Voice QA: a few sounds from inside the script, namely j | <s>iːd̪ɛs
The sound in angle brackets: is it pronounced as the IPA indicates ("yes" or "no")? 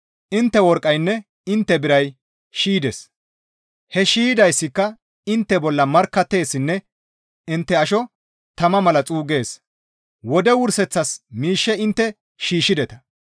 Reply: no